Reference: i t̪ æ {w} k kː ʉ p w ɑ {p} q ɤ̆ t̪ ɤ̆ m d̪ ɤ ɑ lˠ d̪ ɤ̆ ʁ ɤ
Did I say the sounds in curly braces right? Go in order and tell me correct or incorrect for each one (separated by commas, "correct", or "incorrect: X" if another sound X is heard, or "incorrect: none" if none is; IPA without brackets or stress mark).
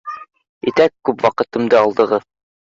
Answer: incorrect: none, incorrect: none